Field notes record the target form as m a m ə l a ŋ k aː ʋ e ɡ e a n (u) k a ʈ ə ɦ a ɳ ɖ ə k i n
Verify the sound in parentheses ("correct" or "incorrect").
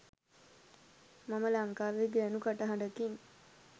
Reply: correct